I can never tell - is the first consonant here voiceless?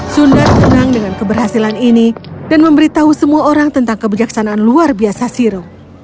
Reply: yes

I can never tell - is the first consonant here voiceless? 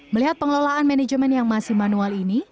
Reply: no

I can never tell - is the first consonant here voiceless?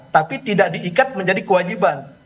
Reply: yes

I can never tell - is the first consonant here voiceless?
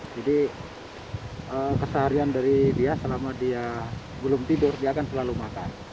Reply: no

